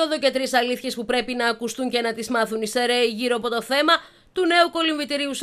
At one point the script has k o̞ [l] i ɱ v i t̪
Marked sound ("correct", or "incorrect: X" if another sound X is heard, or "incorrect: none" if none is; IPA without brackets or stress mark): correct